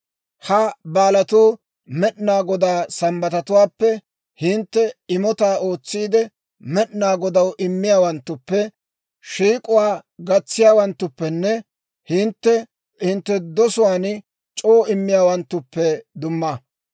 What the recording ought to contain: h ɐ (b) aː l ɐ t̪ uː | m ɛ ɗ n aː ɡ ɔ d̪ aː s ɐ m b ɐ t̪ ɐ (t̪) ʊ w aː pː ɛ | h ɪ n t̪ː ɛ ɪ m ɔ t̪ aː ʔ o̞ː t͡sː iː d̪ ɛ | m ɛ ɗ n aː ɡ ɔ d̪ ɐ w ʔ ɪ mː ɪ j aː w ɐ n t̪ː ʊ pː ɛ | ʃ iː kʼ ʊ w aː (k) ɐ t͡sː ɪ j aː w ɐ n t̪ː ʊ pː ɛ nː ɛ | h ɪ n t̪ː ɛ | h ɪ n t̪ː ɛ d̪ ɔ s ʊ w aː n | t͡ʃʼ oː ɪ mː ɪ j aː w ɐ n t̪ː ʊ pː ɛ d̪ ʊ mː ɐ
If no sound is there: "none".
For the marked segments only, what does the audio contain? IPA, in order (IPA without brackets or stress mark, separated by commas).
b, t̪, ɡ